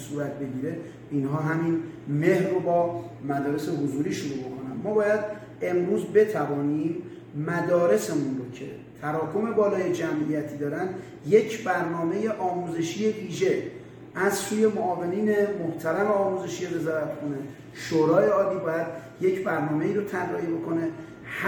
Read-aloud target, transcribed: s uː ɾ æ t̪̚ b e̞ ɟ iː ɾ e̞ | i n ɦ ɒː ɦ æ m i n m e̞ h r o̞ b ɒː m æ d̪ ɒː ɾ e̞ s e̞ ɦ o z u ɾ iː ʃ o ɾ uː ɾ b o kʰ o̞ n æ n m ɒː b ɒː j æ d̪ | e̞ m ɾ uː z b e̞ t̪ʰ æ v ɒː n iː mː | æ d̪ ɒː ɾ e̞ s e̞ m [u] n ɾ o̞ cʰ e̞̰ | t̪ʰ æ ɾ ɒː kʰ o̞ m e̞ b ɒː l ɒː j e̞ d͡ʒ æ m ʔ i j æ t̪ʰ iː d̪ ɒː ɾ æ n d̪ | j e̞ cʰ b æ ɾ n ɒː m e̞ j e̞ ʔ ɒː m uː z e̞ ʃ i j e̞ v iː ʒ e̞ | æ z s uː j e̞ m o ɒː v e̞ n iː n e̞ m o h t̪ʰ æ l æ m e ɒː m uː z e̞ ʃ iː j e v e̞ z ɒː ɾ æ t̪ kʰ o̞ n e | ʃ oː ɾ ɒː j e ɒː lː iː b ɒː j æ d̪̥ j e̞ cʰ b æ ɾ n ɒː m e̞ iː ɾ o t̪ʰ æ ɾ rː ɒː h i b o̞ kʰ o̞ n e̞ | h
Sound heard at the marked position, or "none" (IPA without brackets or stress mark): u